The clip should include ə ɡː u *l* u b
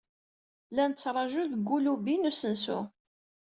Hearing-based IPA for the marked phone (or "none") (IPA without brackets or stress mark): l